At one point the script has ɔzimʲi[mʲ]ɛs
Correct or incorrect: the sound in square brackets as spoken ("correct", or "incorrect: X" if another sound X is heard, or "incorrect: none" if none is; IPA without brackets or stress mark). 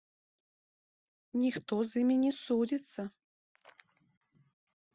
incorrect: nʲ